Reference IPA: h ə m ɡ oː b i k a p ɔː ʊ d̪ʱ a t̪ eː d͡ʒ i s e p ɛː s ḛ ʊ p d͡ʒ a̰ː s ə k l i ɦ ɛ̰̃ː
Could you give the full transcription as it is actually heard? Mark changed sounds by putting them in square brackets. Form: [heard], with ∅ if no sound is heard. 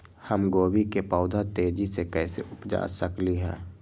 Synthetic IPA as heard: h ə m ɡ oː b i k [e] p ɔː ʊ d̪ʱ a t̪ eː d͡ʒ i s e [k] ɛː s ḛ ʊ p d͡ʒ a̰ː s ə k l i ɦ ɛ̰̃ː